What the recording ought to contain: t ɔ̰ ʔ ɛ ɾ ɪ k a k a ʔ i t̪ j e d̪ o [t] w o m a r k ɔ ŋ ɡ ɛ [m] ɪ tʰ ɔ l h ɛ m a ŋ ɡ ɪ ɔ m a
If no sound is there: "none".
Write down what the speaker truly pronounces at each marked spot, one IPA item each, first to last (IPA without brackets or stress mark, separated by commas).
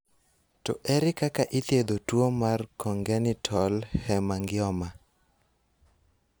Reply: t, n